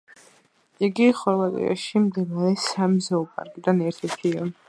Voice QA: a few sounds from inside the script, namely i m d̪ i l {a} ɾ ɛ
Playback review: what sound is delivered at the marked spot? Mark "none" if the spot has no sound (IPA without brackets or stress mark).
a